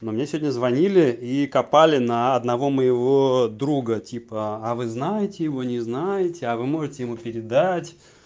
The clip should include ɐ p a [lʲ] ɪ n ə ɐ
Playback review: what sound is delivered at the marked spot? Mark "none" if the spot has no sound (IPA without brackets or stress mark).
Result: lʲ